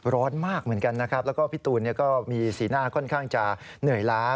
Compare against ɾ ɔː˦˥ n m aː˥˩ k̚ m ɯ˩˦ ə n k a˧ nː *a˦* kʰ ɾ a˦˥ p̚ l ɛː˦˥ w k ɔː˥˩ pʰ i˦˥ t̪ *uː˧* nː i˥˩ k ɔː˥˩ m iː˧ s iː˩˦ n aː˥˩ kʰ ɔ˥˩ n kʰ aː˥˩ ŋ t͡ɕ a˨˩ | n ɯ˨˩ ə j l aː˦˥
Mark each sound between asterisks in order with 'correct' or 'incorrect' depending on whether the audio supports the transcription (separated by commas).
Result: correct, correct